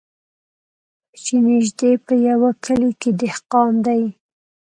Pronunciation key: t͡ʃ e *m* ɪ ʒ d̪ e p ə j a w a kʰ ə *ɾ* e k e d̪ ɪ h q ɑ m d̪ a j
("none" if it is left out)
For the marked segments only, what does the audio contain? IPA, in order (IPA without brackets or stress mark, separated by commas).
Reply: n, l